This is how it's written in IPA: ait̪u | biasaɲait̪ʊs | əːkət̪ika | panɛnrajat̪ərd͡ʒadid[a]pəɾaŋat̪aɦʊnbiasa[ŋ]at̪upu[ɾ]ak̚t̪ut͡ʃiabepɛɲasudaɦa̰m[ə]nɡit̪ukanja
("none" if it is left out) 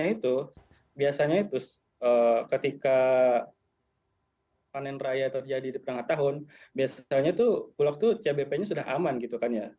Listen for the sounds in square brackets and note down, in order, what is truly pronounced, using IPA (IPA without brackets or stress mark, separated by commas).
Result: i, ɲ, l, a